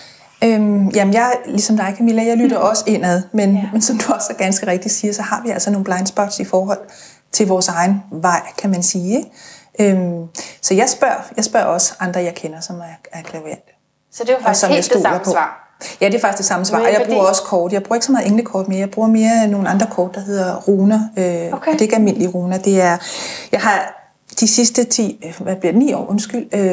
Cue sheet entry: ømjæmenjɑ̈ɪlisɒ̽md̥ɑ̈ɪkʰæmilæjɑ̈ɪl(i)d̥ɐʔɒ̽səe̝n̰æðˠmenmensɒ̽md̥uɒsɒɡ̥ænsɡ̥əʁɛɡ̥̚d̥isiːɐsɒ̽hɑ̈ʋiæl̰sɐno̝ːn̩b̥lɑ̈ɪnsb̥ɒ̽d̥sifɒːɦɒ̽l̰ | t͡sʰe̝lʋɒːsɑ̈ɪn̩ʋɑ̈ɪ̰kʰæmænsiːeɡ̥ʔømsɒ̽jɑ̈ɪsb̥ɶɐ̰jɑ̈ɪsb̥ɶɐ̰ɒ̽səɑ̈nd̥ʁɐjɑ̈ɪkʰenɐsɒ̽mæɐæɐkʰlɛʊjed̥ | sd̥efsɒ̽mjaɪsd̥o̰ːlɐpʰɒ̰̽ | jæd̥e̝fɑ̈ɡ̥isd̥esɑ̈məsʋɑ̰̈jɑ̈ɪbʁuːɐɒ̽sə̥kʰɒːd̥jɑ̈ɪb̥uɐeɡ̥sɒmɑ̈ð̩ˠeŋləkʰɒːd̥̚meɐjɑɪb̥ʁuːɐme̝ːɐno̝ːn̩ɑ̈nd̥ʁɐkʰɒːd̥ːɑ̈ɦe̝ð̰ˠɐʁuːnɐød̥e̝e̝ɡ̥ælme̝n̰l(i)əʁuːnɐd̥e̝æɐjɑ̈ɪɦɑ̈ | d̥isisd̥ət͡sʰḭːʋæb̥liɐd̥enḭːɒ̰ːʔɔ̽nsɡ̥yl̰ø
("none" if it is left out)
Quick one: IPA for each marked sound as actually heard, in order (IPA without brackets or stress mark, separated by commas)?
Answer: y, i